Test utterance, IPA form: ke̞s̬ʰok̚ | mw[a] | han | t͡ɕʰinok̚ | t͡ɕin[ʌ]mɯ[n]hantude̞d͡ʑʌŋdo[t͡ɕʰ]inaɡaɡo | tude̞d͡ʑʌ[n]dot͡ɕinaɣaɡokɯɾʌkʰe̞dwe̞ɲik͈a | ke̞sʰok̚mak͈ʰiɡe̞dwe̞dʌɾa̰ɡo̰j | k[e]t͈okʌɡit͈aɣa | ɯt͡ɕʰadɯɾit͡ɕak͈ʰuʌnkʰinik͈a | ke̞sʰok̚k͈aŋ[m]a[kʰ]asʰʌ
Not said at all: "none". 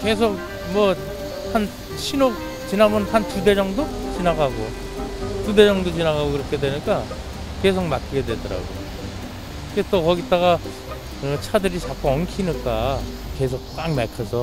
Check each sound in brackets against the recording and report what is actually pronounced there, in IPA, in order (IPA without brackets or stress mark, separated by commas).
ʌ, a, n, t͡ɕ, ŋ, e, m, kʰ